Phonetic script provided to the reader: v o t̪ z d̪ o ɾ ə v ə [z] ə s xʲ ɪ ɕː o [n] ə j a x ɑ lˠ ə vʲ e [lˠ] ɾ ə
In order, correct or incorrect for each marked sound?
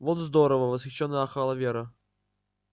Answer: incorrect: v, incorrect: nː, incorrect: none

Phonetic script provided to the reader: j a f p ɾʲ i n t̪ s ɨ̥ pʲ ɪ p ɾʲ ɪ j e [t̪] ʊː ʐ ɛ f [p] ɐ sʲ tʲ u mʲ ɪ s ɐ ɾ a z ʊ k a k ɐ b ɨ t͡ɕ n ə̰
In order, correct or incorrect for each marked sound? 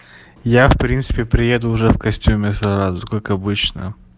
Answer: incorrect: d̪, incorrect: k

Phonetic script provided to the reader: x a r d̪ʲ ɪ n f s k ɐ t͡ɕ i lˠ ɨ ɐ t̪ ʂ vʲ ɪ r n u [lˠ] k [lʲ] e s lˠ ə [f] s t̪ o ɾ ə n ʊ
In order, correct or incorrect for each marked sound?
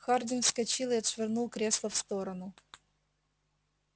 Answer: correct, incorrect: ɾʲ, correct

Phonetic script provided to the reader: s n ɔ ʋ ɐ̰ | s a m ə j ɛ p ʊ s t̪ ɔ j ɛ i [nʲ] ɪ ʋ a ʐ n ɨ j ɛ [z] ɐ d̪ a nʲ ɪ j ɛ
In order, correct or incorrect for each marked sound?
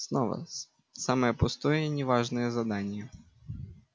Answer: correct, correct

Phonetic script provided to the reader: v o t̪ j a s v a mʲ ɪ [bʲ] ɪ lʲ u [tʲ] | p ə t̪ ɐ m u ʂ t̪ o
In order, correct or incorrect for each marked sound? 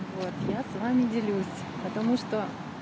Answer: incorrect: dʲ, incorrect: sʲ

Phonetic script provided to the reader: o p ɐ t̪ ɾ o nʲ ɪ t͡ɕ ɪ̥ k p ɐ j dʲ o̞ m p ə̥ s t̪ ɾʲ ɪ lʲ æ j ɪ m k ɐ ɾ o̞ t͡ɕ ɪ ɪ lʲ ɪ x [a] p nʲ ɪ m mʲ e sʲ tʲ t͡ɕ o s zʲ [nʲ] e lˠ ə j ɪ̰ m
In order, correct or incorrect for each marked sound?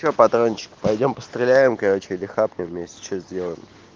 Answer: correct, incorrect: dʲ

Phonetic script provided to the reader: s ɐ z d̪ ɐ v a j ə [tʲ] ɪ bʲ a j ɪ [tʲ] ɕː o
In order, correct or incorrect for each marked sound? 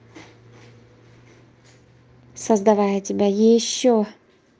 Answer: correct, incorrect: none

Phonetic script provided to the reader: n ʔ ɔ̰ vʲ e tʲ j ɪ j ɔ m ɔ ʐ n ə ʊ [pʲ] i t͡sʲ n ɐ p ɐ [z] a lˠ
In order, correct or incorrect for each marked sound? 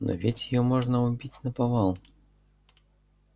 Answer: incorrect: bʲ, incorrect: v

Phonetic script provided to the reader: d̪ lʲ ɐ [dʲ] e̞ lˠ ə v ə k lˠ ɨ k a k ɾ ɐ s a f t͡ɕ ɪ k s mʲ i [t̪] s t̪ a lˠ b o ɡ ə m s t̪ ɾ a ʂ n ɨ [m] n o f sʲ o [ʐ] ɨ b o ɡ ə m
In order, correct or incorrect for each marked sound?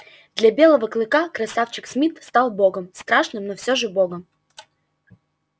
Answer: incorrect: bʲ, correct, correct, correct

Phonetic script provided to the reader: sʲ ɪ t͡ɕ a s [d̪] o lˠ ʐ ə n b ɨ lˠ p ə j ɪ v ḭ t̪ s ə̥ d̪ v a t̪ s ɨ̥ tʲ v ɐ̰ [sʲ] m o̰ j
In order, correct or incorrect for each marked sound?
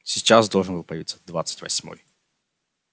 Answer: correct, correct

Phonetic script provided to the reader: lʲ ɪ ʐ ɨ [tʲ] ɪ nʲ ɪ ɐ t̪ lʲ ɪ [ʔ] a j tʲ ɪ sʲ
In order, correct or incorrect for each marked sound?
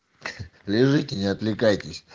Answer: correct, incorrect: k

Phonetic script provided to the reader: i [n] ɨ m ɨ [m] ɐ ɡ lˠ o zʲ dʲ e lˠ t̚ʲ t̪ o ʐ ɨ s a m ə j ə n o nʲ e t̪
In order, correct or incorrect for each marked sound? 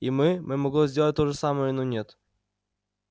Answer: incorrect: m, correct

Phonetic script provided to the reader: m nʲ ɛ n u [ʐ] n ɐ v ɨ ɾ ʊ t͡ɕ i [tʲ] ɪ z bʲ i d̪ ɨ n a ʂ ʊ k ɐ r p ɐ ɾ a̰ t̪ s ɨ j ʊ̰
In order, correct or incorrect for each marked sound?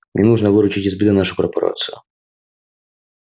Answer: correct, correct

